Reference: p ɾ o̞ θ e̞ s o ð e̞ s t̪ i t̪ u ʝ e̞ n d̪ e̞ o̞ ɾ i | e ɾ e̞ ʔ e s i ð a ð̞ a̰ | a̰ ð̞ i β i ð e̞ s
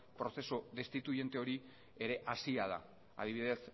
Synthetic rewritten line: p ɾ o̞ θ e̞ s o ð e̞ s t̪ i t̪ u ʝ e̞ n t̪ e̞ o̞ ɾ i | e ɾ e̞ ʔ a s i a ð̞ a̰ | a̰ ð̞ i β i ð e̞ s